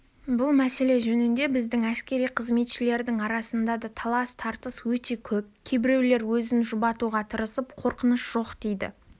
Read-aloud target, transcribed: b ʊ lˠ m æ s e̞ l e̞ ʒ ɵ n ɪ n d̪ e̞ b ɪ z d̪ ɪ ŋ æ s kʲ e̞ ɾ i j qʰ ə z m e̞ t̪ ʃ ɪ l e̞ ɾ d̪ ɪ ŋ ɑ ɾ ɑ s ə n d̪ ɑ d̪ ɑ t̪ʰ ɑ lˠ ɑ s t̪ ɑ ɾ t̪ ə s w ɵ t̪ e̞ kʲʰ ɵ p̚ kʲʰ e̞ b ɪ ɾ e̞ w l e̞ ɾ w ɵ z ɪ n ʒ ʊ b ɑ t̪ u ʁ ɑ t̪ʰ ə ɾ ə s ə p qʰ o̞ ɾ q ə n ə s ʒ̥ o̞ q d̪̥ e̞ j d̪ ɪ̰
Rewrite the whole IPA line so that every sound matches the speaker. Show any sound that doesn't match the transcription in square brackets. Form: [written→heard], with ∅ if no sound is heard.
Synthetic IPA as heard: b ʊ lˠ m æ s e̞ l e̞ ʒ ɵ n ɪ n d̪ e̞ b ɪ z d̪ ɪ ŋ æ s kʲ e̞ ɾ i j qʰ ə z m e̞ t̪ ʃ ɪ l e̞ ɾ d̪ ɪ ŋ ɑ ɾ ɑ s ə n d̪ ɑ d̪ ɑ t̪ʰ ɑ lˠ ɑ s [t̪→t̪ʰ] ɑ ɾ t̪ ə s w ɵ t̪ e̞ kʲʰ ɵ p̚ kʲʰ e̞ b ɪ ɾ e̞ w l e̞ ɾ w ɵ z ɪ n ʒ ʊ b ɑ t̪ u ʁ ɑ t̪ʰ ə ɾ ə s ə p qʰ o̞ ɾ q ə n ə s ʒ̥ o̞ q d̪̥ e̞ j d̪ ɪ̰